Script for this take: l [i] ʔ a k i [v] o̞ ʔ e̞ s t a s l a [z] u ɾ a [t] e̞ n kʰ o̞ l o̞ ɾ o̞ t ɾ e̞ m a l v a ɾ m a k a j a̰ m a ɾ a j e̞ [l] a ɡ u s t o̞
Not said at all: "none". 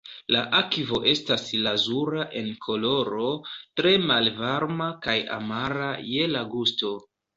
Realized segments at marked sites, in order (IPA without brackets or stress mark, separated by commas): a, v, z, ʔ, l